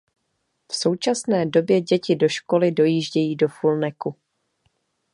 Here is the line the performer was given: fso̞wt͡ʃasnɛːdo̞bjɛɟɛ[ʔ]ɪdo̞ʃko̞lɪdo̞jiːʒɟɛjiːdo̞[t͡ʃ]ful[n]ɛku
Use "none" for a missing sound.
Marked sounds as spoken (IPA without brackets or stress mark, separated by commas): c, none, n